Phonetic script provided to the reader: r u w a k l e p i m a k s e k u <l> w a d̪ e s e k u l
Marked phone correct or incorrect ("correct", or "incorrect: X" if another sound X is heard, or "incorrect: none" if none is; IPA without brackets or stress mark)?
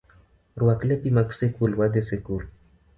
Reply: correct